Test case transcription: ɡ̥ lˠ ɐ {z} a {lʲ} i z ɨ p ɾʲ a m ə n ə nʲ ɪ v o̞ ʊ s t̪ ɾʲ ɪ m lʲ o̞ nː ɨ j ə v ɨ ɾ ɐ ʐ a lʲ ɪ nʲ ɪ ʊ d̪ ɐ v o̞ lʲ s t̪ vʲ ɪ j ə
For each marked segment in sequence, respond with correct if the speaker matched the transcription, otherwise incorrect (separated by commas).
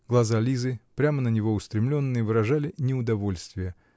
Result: correct, correct